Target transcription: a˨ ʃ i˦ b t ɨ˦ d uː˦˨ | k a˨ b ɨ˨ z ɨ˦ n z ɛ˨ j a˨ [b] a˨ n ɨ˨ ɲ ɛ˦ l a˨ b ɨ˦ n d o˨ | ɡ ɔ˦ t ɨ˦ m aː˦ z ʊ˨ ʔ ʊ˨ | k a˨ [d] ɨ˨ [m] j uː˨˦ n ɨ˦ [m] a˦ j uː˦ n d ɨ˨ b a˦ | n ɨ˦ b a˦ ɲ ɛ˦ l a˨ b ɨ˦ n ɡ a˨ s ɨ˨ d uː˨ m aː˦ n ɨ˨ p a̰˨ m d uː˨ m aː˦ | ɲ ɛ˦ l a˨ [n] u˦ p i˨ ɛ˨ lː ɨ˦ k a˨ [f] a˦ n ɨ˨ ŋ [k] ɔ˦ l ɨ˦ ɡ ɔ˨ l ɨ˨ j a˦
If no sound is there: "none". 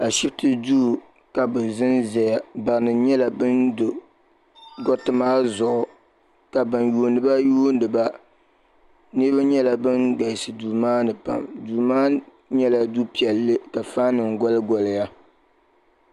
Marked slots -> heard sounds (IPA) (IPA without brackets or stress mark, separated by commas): b, b, n, b, d, f, ɡ